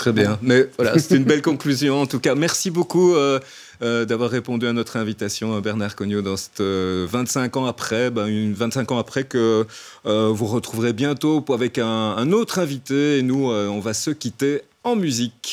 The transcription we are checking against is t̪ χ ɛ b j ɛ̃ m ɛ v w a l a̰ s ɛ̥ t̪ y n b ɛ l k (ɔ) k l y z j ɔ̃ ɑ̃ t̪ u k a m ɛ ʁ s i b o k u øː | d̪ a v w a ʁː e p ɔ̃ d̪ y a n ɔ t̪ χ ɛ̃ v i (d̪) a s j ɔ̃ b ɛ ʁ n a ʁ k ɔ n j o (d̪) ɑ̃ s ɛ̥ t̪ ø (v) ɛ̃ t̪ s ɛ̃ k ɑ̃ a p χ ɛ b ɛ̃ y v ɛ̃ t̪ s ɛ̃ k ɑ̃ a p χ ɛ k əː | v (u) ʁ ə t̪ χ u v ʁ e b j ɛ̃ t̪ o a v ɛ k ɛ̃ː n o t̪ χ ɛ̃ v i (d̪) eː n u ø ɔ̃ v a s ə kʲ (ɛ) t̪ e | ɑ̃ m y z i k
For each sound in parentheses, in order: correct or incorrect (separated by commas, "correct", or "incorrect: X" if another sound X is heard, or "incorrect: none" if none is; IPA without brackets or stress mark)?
incorrect: ɔ̃, incorrect: t̪, correct, correct, correct, incorrect: t̪, incorrect: i